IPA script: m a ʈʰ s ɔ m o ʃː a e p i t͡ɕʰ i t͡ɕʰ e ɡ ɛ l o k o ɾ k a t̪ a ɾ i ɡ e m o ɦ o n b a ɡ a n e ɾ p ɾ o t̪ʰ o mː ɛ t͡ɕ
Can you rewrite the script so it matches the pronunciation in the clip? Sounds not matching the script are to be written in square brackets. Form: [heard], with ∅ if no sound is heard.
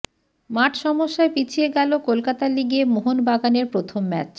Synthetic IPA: m a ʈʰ [ʃ] ɔ m o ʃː a e p i t͡ɕʰ i [∅] e ɡ ɛ l o k o [l] k a t̪ a [l] i ɡ e m o ɦ o n b a ɡ a n e ɾ p ɾ o t̪ʰ o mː ɛ t͡ɕ